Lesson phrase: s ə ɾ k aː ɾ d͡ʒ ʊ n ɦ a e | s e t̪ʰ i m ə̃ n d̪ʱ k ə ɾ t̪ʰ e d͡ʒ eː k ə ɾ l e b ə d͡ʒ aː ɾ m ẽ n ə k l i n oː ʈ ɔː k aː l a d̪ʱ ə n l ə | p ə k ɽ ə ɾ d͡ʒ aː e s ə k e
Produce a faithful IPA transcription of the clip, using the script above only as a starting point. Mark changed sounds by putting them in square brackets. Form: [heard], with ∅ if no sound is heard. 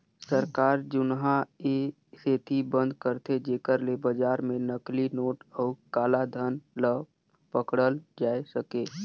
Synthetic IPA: s ə ɾ k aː ɾ d͡ʒ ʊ n ɦ a e | s e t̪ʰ i [b] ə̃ n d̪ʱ k ə ɾ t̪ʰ e d͡ʒ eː k ə ɾ l e b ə d͡ʒ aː ɾ m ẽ n ə k l i n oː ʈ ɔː k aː l a d̪ʱ ə n l ə | p ə k ɽ ə [l] d͡ʒ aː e s ə k e